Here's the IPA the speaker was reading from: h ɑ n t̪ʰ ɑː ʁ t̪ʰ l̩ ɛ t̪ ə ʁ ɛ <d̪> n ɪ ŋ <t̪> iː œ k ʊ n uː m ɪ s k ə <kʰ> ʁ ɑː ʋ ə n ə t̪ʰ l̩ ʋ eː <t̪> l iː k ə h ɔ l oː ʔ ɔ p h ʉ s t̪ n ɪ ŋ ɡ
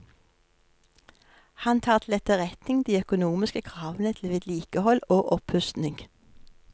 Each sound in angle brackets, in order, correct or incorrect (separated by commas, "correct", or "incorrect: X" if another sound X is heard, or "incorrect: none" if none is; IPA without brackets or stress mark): incorrect: t̪, incorrect: d̪, correct, incorrect: d̪